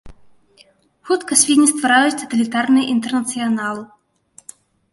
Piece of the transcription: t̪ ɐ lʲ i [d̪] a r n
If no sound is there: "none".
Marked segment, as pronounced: t̪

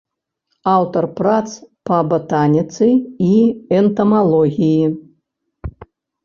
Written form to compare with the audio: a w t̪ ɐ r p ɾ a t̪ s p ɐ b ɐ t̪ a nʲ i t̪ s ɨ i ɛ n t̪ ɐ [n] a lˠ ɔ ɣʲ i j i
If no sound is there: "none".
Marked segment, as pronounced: m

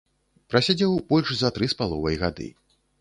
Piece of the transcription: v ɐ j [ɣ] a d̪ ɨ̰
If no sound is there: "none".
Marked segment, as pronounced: ɣ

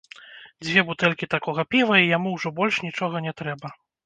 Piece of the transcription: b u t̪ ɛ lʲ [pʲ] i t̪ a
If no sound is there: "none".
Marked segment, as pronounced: kʲ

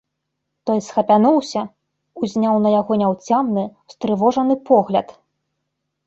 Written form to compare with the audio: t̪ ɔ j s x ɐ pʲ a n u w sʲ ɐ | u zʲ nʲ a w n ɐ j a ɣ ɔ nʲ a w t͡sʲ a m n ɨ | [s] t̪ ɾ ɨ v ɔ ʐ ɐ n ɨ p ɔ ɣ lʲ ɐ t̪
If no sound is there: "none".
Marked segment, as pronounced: s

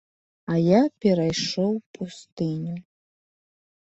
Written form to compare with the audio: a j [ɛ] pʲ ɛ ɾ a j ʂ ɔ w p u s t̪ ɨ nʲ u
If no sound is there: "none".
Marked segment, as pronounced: a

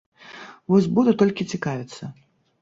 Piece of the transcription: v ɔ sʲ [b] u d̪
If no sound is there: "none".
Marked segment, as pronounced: b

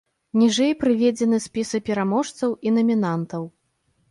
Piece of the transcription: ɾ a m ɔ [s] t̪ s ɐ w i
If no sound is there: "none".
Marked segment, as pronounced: ʂ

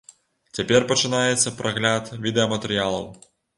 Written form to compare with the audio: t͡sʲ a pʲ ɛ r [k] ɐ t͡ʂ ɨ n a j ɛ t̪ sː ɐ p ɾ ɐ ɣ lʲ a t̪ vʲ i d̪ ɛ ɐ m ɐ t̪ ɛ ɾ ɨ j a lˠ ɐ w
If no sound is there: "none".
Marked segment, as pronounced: p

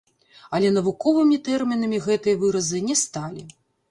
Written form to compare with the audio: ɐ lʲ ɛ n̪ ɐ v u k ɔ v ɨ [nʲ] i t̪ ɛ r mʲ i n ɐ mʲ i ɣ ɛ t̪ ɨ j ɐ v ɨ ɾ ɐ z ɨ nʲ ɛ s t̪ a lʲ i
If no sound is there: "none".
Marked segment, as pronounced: mʲ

